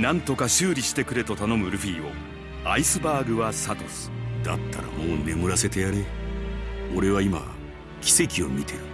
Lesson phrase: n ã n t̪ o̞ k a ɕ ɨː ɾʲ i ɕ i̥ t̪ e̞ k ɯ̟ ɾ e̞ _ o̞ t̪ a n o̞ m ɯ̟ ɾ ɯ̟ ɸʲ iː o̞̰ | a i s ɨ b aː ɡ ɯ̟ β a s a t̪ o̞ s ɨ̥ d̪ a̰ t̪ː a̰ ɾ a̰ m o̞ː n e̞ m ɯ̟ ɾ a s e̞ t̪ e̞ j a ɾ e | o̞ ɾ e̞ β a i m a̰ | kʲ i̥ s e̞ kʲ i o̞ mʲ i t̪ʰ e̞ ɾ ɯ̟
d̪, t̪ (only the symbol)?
t̪